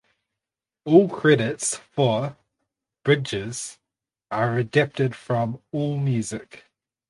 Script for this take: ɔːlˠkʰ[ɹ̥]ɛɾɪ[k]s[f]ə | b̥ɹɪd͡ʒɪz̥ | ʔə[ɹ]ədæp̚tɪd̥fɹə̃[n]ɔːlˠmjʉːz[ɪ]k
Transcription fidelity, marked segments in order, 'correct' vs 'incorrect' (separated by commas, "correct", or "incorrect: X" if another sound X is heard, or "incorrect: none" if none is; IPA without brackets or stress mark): correct, incorrect: t, correct, correct, incorrect: m, correct